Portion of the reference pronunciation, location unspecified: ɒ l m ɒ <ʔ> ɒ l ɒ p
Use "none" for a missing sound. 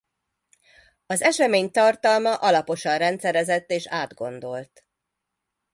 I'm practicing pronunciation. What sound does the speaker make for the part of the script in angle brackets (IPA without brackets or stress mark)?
ʔ